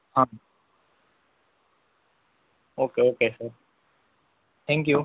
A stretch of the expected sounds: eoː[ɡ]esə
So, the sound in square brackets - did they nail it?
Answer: no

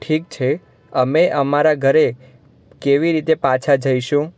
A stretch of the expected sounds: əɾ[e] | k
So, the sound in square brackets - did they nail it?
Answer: yes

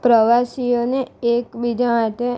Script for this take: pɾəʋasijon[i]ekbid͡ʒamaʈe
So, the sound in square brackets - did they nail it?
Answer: no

